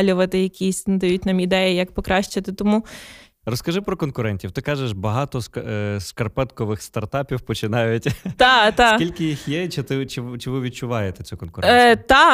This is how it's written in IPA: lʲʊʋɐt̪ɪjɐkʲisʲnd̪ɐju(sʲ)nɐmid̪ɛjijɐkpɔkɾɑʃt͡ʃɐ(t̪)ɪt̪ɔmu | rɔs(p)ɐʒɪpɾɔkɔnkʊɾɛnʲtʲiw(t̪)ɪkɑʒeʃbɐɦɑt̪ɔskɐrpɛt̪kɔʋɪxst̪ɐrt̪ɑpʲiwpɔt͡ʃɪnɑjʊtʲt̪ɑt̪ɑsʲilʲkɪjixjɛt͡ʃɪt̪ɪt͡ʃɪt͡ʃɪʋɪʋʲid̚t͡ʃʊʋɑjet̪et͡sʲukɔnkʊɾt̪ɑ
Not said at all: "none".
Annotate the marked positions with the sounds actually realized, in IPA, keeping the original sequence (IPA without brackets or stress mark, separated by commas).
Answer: tʲ, t̪, k, t̪